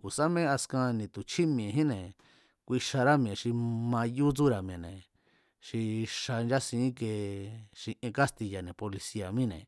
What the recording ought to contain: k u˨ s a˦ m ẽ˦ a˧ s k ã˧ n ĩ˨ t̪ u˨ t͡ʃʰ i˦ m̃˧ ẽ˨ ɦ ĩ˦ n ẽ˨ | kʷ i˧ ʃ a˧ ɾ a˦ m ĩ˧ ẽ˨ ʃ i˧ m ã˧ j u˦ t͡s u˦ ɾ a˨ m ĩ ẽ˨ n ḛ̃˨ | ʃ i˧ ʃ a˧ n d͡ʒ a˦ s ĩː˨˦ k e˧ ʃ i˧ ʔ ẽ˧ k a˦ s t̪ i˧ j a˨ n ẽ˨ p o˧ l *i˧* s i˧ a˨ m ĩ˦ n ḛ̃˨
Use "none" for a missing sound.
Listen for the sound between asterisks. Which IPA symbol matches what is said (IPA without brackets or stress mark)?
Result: i˧